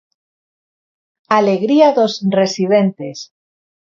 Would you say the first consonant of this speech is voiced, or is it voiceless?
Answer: voiced